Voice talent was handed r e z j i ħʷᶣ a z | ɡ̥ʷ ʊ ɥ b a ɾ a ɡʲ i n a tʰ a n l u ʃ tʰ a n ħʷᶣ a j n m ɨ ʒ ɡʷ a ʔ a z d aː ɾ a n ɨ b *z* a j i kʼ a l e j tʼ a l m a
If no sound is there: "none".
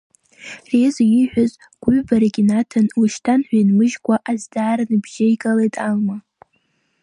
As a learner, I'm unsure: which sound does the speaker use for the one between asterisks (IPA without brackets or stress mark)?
ʒ